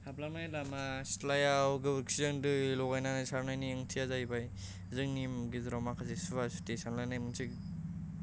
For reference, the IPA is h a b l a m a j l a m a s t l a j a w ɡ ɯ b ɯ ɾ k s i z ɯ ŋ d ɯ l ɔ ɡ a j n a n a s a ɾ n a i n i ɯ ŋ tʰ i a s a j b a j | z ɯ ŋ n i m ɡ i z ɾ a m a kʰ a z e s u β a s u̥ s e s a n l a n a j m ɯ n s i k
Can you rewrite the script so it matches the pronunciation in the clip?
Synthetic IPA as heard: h a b l a m a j l a m a s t l a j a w ɡ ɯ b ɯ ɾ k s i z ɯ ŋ d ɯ l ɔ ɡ a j n a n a s a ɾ n a j n i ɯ ŋ tʰ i a z a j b a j | z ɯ ŋ n i m ɡ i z ɾ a m a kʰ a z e s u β a s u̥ t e s a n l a n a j m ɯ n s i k